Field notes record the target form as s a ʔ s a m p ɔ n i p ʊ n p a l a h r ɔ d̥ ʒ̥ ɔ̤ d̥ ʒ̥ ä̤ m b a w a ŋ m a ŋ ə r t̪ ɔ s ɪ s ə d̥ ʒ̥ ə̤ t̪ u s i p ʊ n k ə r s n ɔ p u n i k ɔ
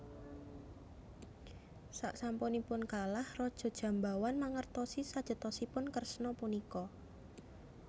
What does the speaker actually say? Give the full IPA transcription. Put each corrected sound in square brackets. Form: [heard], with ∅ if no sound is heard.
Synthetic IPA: s a ʔ s a m p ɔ n i p ʊ n [k] a l a h r ɔ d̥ ʒ̥ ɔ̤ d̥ ʒ̥ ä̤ m b a w a [n] m a ŋ ə r t̪ ɔ s [i] s [a] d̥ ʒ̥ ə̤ t̪ [ɔ] s i p ʊ n k ə r s n ɔ p u n i k ɔ